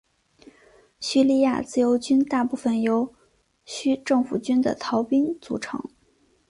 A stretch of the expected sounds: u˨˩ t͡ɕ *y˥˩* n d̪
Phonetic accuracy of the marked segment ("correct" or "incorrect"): incorrect